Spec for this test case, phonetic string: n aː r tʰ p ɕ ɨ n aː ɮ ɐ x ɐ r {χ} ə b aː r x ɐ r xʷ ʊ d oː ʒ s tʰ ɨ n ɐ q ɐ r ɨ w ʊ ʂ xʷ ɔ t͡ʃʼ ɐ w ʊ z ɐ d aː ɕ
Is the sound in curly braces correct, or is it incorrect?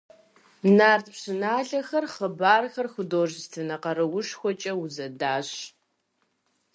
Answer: correct